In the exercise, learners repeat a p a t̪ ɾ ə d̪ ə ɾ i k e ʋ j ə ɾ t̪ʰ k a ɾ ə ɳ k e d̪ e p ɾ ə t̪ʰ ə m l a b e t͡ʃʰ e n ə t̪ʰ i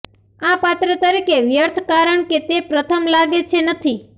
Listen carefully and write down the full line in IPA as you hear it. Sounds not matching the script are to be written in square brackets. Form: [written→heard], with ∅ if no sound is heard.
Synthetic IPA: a p a t̪ ɾ ə [d̪→t̪] ə ɾ i k e ʋ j ə ɾ t̪ʰ k a ɾ ə ɳ k e [d̪→t̪] e p ɾ ə t̪ʰ ə m l a [b→ɡ] e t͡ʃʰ e n ə t̪ʰ i